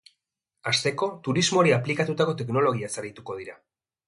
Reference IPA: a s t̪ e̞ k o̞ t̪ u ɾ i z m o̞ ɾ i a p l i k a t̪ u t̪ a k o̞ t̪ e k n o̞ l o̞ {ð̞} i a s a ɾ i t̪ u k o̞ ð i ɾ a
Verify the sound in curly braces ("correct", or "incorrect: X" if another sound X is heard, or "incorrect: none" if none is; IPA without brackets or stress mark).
incorrect: ɣ̞